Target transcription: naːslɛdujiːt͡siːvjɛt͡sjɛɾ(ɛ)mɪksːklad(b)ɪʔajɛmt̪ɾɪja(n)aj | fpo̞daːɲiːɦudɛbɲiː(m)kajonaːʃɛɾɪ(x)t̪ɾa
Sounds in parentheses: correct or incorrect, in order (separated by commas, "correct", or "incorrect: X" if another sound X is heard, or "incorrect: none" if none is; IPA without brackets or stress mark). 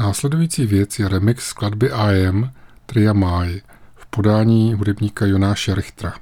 correct, correct, incorrect: m, incorrect: none, correct